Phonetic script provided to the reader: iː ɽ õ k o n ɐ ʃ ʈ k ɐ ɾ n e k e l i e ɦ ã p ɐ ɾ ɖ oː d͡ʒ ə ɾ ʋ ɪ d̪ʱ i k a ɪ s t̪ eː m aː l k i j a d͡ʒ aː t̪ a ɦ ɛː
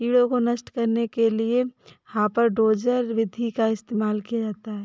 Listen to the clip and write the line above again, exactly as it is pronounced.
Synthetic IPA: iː ɽ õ k o n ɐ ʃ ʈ k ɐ ɾ n e k e l i e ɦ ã p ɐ ɾ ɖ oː d͡ʒ ə ɾ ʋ ɪ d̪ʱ i k a ɪ s t̪ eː m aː l k i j a d͡ʒ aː t̪ a ɦ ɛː